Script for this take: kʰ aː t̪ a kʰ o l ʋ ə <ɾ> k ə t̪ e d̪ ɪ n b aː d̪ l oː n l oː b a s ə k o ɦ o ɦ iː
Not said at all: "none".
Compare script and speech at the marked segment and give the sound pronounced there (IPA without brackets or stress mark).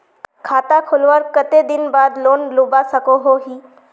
ɾ